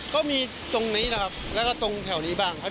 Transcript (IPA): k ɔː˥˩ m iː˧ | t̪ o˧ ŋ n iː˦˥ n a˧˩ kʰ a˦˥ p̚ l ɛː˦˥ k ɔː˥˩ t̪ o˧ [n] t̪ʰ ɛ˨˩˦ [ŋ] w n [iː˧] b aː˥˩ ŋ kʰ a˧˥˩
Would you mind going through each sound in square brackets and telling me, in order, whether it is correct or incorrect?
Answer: incorrect: ŋ, incorrect: none, incorrect: iː˦˥

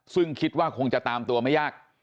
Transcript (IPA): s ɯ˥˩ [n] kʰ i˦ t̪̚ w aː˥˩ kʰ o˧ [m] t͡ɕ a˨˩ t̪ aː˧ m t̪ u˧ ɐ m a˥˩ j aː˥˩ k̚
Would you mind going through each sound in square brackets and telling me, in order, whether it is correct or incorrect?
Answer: incorrect: ŋ, incorrect: ŋ

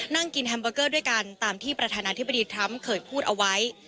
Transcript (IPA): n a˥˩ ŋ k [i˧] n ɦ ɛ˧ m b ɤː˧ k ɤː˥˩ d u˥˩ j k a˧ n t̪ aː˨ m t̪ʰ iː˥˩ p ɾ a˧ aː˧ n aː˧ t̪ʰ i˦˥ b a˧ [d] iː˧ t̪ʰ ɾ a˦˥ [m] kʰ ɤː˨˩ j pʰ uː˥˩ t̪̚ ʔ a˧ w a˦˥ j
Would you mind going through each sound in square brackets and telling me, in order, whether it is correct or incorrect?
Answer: correct, correct, correct

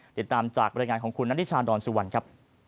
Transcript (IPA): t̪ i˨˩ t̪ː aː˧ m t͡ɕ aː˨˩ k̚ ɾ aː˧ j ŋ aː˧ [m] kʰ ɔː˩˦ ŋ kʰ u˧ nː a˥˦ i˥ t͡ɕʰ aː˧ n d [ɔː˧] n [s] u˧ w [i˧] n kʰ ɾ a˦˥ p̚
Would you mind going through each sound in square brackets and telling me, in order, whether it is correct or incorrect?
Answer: incorrect: n, correct, correct, incorrect: a˧

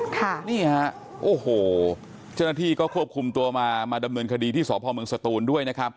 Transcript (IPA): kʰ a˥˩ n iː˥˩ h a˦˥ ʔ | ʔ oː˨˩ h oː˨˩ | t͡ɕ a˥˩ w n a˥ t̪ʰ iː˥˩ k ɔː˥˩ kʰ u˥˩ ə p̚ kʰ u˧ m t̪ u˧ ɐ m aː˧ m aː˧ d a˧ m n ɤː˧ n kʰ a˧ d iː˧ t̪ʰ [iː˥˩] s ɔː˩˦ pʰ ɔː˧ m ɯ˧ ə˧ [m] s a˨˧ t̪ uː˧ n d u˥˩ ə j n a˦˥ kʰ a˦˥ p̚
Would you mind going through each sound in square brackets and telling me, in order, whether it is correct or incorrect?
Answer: correct, incorrect: ŋ

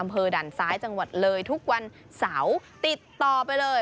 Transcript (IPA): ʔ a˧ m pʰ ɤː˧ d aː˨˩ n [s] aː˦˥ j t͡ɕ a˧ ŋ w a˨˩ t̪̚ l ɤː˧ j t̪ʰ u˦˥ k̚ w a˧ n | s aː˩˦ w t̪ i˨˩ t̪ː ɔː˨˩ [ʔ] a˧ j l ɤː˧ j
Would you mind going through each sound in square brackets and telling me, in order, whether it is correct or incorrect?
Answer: correct, incorrect: p

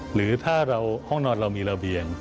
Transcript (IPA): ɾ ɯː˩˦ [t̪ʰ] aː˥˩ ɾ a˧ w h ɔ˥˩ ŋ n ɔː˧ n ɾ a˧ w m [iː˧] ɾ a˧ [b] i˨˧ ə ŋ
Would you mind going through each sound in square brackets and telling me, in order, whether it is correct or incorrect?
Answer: correct, correct, correct

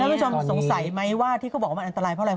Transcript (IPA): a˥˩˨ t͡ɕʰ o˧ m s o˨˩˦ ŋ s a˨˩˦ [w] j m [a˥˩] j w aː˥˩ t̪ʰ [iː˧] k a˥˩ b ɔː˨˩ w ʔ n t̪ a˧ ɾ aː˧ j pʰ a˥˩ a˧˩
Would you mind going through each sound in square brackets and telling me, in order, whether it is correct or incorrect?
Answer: incorrect: none, incorrect: a˦˥, incorrect: iː˩

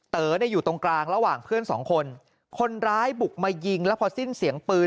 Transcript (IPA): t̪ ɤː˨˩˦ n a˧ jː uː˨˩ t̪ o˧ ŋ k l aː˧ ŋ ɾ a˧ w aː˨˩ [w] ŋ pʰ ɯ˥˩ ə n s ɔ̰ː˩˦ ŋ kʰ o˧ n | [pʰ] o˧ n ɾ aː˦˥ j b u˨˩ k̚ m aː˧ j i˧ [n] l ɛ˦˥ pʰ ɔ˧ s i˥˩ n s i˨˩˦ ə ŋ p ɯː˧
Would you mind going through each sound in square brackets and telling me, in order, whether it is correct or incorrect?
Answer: incorrect: none, incorrect: kʰ, incorrect: ŋ

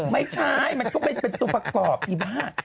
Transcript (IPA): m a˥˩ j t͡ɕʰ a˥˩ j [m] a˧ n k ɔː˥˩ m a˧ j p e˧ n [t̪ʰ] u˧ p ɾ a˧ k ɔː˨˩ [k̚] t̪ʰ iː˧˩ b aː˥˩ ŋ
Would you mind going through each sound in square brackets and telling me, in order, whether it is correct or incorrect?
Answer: correct, incorrect: t̪, incorrect: p̚

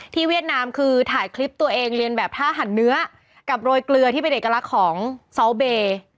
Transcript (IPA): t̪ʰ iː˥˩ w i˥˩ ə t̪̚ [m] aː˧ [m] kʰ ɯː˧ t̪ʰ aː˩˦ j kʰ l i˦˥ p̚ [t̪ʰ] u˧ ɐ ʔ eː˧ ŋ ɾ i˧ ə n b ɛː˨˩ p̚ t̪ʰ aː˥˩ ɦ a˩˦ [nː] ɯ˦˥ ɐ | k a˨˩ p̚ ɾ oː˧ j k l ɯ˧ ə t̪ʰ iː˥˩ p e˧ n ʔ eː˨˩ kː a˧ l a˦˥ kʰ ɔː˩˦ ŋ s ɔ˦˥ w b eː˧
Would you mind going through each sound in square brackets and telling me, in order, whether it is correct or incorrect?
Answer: incorrect: n, correct, incorrect: t̪, correct

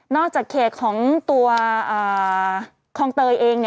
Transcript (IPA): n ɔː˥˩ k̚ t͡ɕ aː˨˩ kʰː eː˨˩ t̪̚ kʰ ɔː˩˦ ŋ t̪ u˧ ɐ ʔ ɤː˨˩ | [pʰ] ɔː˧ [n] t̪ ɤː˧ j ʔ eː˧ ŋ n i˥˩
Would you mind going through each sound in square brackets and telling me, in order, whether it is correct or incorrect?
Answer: incorrect: kʰ, incorrect: ŋ

